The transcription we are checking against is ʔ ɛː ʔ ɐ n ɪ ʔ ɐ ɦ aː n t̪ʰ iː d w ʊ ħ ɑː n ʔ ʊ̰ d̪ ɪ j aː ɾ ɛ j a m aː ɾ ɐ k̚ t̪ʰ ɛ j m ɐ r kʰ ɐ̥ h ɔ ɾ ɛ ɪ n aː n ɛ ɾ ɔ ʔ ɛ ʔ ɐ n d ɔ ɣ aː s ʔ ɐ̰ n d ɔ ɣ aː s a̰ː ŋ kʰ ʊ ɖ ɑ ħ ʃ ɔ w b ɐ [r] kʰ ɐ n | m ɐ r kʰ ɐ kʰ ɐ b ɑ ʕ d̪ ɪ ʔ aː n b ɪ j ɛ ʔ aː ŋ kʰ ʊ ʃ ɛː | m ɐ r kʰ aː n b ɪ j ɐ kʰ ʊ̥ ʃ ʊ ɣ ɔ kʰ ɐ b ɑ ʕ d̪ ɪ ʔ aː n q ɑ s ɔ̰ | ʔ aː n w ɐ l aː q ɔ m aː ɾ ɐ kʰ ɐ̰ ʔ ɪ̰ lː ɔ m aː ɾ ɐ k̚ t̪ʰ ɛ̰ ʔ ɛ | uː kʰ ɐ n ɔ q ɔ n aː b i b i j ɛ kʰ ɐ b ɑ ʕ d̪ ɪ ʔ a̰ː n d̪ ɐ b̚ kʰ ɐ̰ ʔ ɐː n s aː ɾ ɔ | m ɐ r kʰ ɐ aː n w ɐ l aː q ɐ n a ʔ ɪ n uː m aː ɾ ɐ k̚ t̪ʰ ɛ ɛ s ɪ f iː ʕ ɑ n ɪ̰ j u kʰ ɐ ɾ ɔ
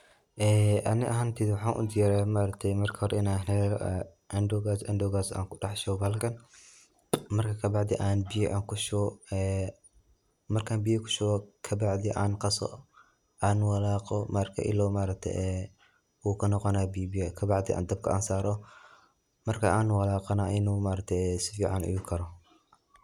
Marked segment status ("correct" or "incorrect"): incorrect